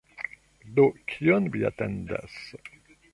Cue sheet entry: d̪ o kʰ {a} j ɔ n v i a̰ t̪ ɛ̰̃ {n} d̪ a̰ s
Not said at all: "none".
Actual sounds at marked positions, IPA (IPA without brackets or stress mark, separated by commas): i, n